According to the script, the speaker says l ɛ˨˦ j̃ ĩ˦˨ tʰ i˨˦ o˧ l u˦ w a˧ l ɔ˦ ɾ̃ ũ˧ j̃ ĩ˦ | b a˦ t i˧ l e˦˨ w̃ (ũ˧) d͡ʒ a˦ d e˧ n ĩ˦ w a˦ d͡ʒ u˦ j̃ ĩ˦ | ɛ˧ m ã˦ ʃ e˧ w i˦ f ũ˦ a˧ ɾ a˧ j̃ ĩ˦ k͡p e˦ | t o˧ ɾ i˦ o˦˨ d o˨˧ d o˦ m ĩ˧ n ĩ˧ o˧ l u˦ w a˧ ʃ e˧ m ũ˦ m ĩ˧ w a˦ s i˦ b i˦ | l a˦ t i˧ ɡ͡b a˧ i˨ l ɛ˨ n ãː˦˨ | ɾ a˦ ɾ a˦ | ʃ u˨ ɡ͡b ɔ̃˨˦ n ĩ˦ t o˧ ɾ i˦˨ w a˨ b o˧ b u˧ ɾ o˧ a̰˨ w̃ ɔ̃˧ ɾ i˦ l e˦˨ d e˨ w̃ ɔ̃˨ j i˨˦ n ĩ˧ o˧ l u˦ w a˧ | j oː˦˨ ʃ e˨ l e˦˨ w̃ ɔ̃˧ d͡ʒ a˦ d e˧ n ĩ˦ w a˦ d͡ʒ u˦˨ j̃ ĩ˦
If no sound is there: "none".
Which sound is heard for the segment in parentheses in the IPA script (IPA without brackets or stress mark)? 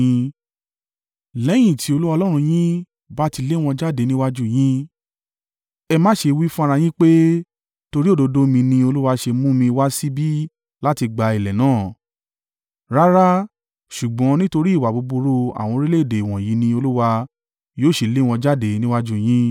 ɔ̃˧